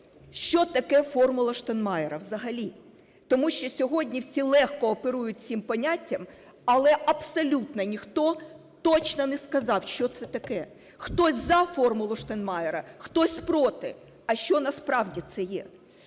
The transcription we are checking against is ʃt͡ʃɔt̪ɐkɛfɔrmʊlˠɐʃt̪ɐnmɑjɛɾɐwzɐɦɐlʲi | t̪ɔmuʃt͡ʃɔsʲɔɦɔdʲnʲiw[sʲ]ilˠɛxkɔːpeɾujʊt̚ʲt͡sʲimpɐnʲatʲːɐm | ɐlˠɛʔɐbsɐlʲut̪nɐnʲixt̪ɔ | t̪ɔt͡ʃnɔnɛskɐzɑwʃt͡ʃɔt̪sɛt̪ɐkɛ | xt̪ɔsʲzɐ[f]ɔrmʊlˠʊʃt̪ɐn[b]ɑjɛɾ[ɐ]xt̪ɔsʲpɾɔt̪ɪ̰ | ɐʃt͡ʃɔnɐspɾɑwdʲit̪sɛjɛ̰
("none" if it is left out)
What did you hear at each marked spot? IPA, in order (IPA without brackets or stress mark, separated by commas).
sʲ, f, m, ɐ